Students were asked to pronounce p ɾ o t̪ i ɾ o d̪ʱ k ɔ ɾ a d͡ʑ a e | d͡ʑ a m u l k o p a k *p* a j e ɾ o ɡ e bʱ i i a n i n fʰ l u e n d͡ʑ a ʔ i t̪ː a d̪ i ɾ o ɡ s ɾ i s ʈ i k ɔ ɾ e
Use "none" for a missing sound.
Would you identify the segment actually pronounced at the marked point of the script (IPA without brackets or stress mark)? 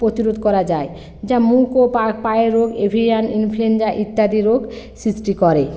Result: p